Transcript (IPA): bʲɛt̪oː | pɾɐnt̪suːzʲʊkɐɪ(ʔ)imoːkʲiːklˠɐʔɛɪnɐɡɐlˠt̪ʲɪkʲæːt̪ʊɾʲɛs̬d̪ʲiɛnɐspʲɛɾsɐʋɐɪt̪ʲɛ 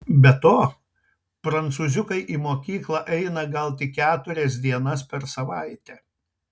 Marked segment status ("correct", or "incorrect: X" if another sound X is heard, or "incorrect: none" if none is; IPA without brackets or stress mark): correct